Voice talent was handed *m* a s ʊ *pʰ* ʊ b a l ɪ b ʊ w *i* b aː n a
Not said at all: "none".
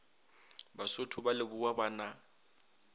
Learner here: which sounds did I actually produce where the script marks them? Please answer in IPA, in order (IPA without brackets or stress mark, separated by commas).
b, tʰ, a